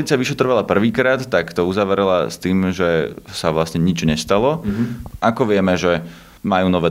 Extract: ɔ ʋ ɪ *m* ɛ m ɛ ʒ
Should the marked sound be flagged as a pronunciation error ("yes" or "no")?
yes